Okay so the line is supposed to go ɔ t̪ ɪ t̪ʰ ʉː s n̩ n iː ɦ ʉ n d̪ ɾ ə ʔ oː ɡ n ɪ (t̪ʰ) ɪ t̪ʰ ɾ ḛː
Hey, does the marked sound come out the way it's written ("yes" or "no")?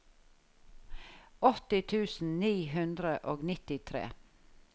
no